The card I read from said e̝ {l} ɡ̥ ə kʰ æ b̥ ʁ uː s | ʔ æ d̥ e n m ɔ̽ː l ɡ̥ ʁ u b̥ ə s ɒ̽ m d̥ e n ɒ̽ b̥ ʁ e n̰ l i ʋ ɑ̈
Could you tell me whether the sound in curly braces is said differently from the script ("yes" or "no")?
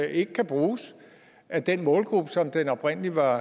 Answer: yes